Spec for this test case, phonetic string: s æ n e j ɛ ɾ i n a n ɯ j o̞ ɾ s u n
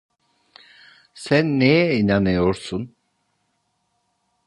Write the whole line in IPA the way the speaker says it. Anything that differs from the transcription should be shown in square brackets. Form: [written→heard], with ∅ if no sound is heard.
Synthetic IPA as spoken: s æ [n→nː] e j ɛ [ɾ→∅] i n a n ɯ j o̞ ɾ s u n